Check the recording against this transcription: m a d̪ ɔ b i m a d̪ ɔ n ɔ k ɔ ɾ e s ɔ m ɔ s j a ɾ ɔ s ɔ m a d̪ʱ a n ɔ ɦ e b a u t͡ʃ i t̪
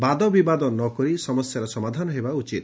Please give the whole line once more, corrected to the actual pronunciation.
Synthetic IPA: b a d̪ ɔ b i b a d̪ ɔ n ɔ k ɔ ɾ i s ɔ m ɔ s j a ɾ ɔ s ɔ m a d̪ʱ a n ɔ ɦ e b a u t͡ʃ i t̪